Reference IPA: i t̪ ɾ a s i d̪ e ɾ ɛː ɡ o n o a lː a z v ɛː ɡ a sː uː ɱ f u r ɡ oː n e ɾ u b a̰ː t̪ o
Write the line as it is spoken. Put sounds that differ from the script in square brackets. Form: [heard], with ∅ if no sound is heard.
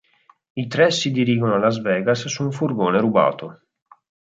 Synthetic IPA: i t̪ ɾ [ɛ] s i d̪ [i] ɾ [iː] ɡ o n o a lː a z v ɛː ɡ a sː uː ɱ f u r ɡ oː n e ɾ u b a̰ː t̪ o